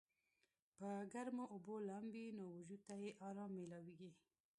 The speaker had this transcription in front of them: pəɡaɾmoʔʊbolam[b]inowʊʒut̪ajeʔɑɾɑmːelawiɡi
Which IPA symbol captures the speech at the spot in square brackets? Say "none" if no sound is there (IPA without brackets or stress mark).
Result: b